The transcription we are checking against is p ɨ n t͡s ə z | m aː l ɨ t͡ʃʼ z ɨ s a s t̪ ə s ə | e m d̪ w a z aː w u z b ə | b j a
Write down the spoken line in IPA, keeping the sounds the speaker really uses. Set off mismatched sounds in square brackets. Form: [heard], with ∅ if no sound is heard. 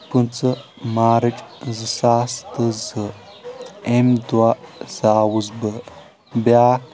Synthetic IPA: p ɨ n t͡s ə [∅] | m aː [ɾ] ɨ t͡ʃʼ z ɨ s a s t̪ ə [z] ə | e m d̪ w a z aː w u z b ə | b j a